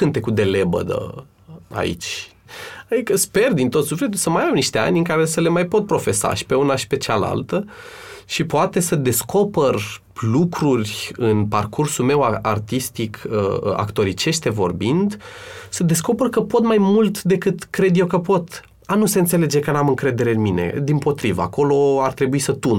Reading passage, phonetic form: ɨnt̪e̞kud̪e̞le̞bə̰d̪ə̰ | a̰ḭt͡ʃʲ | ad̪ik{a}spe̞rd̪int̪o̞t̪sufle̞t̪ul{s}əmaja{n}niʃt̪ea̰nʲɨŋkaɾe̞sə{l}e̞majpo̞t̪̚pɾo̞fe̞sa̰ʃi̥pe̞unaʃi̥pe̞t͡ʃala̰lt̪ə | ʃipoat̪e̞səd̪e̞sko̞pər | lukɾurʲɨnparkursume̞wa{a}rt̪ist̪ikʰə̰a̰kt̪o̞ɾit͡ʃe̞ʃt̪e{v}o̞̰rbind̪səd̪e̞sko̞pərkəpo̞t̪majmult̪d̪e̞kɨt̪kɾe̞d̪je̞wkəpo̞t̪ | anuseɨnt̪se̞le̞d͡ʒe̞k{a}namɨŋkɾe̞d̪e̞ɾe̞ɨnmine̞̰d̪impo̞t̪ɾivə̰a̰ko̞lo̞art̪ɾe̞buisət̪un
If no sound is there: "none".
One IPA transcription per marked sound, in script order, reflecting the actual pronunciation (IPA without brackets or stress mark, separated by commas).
ə, s, m, l, a, v, ə